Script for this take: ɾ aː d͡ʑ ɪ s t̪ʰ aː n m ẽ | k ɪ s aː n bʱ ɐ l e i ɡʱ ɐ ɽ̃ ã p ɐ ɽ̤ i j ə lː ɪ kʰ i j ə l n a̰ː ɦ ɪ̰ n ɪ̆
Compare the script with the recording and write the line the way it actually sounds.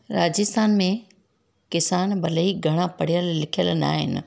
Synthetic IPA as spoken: ɾ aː d͡ʑ ɪ s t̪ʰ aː n m ẽ | k ɪ s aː n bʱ ɐ l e i ɡʱ ɐ ɽ̃ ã p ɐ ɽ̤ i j ə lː ɪ kʰ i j ə l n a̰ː ɦ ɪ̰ n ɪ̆